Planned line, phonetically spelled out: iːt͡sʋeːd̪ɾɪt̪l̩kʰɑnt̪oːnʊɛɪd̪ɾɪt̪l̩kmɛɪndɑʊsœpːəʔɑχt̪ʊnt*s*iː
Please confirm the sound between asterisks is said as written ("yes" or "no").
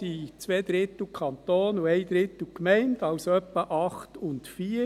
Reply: no